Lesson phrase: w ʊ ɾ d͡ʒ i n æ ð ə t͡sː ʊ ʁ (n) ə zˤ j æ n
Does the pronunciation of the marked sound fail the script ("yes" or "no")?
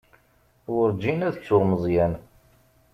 yes